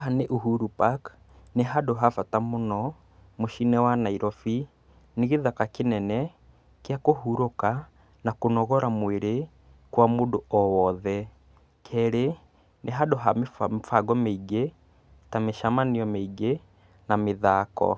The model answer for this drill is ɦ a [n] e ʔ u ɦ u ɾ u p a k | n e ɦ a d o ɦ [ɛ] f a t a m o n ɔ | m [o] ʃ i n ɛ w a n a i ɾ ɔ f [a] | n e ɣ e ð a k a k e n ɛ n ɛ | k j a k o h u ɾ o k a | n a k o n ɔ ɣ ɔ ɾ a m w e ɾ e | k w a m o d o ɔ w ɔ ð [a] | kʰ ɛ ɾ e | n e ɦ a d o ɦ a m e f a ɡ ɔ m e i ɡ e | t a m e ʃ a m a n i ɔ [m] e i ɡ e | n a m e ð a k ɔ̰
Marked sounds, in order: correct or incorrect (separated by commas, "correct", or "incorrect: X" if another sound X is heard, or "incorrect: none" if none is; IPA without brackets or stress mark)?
correct, incorrect: a, correct, incorrect: i, incorrect: ɛ, correct